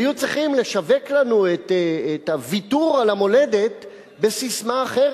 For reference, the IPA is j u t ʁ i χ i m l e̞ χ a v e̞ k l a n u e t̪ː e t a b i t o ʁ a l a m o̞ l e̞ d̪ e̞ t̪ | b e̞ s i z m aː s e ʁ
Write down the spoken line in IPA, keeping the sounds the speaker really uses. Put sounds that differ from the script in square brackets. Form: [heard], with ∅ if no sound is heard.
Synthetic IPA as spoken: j u [t͡s] ʁ i χ i m l e̞ [ʃ] a v e̞ k l a n u e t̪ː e t a [v] i t [u] ʁ a l a m o̞ l e̞ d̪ e̞ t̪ | b e̞ s i [s] m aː [χ] e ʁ